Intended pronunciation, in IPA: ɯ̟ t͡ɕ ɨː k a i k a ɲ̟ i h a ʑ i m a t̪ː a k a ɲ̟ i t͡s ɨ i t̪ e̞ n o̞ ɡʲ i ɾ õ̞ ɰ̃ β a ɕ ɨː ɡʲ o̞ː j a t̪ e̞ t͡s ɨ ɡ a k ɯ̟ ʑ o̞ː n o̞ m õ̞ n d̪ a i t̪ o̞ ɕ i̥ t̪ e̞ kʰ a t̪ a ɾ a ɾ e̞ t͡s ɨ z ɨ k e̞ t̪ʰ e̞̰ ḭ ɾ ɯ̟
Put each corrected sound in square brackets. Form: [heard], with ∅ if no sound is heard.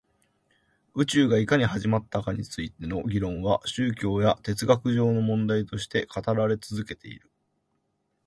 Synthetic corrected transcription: ɯ̟ t͡ɕ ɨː [ɡ] a i k a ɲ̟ i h a ʑ i m a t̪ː a k a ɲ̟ i t͡s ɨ i t̪ e̞ n o̞ ɡʲ i ɾ õ̞ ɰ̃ β a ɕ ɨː [kʲ] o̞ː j a t̪ e̞ t͡s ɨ ɡ a k ɯ̟ ʑ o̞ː n o̞ m õ̞ n d̪ a i t̪ o̞ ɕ i̥ t̪ e̞ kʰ a t̪ a ɾ a ɾ e̞ t͡s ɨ z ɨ k e̞ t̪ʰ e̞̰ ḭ ɾ ɯ̟